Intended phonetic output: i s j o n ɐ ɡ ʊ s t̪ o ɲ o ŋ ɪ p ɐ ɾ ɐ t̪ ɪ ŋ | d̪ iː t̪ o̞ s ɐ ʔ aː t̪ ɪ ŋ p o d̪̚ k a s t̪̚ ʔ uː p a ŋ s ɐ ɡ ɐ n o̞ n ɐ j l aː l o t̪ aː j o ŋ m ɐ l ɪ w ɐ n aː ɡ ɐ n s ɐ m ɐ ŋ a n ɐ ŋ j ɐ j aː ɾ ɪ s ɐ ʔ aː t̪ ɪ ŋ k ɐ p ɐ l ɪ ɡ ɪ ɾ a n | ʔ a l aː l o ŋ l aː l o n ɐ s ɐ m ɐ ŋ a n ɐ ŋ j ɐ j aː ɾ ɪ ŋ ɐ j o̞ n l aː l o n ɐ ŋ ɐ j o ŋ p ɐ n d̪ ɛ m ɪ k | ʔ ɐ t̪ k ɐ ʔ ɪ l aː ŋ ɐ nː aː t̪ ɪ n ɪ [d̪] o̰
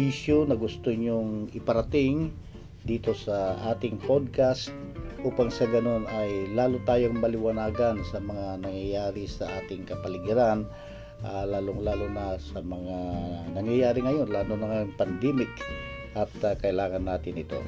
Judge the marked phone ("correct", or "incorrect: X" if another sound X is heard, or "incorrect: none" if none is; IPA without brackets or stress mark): incorrect: t̪